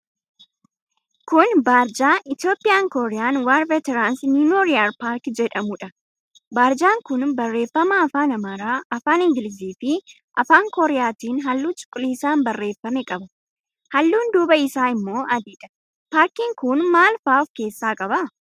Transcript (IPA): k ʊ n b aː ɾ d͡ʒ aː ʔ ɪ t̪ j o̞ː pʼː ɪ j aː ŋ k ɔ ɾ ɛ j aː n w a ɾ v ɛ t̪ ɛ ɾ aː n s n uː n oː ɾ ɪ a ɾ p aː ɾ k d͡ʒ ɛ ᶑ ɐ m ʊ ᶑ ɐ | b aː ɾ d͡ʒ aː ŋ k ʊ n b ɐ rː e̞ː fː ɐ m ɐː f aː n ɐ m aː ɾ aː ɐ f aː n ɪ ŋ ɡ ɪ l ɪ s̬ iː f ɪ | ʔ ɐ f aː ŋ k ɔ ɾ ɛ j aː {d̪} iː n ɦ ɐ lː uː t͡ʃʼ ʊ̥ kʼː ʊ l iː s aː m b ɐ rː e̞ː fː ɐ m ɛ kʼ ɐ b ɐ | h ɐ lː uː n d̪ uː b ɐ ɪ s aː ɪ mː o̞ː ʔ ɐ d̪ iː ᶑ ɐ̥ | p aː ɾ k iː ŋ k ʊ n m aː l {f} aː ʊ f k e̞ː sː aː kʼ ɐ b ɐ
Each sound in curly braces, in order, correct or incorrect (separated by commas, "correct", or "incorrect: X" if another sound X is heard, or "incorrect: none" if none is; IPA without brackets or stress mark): incorrect: t̪, correct